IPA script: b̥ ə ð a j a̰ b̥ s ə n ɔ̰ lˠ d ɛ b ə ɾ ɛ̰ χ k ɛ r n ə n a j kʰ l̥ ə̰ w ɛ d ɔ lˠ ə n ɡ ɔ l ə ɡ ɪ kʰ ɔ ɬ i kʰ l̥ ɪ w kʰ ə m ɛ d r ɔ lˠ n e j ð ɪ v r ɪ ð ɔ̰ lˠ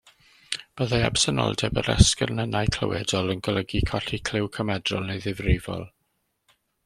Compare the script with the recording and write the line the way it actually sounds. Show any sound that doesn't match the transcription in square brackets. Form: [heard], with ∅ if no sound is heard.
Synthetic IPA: b̥ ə ð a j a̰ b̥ s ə n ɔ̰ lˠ d ɛ b ə ɾ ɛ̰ [s] k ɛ r n ə n a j kʰ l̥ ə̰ w ɛ d ɔ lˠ ə n ɡ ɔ l ə ɡ [i] kʰ ɔ ɬ i kʰ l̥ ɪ w kʰ ə m ɛ d r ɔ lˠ n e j ð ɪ v r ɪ [v] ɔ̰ lˠ